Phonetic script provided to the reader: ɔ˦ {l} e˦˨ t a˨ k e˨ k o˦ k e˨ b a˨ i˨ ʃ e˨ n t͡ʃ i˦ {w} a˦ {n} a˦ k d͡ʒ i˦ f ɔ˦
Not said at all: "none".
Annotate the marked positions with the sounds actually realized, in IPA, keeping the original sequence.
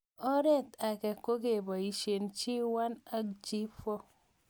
ɾ, w, n

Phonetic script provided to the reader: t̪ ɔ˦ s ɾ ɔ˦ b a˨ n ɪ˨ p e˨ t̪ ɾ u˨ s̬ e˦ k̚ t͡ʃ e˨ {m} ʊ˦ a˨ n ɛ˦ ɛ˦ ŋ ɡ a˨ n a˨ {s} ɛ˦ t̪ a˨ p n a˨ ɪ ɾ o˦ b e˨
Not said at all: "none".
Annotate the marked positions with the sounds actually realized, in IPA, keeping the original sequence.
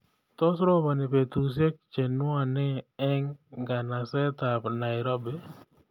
n, s

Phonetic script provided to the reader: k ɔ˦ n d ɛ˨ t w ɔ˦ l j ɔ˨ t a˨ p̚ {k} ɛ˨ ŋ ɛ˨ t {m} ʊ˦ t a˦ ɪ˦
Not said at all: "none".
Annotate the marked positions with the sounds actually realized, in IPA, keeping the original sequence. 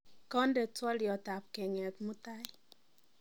k, m

